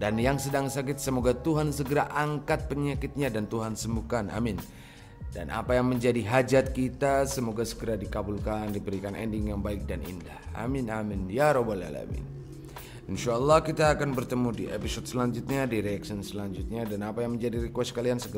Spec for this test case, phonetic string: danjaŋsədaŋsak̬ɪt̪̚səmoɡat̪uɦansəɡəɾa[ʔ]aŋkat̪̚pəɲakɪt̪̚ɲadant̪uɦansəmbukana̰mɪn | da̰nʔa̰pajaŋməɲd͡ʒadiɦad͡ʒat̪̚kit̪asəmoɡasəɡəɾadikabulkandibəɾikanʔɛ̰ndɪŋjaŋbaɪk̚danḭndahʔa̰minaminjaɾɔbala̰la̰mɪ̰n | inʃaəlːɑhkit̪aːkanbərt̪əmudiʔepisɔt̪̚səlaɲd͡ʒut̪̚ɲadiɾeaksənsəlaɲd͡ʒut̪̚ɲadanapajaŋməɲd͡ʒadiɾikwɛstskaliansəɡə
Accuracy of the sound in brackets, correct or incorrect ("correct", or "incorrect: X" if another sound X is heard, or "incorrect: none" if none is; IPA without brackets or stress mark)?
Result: correct